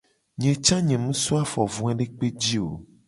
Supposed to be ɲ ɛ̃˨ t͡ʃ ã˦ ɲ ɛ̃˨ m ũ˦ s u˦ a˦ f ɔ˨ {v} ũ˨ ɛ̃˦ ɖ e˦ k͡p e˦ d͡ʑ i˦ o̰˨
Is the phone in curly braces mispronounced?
no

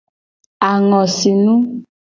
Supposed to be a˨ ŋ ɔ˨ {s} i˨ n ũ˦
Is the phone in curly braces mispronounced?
no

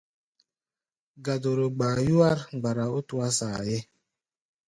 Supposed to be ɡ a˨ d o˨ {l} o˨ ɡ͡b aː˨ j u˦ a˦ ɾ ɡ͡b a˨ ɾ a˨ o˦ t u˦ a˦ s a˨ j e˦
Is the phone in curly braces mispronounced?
yes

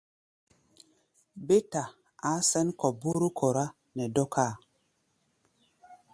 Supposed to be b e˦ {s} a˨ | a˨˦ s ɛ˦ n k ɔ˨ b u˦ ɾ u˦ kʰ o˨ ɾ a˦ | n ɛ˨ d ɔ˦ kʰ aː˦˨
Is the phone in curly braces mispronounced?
yes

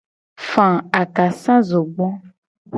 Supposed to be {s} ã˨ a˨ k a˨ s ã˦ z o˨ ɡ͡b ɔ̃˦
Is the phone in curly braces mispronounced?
yes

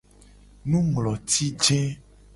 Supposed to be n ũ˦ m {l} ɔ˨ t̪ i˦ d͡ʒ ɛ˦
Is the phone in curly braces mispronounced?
no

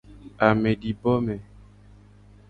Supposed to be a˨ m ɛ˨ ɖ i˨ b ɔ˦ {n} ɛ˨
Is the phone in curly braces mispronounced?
yes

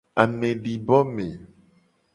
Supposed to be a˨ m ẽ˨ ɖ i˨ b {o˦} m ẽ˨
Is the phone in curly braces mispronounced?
yes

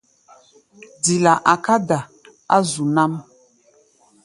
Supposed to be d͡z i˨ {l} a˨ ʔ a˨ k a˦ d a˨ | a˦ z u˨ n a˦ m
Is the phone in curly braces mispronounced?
no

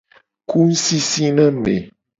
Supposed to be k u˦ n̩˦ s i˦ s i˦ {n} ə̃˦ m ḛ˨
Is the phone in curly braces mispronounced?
no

